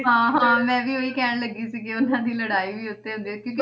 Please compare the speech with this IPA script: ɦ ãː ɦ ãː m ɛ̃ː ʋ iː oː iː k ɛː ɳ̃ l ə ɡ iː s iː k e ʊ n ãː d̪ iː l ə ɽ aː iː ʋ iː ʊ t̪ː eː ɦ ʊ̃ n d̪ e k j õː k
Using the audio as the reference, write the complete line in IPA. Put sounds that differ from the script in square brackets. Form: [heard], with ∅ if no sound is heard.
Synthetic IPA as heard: ɦ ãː ɦ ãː m ɛ̃ː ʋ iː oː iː k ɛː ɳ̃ l ə ɡ iː s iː k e ʊ n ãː d̪ iː l ə ɽ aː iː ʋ iː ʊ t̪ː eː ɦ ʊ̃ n d̪ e k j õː k